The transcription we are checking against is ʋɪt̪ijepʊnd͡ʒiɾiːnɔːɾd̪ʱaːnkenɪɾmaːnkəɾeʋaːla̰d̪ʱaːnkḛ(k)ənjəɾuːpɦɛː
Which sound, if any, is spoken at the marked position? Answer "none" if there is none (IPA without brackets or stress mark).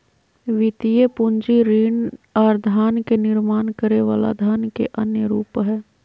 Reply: ʔ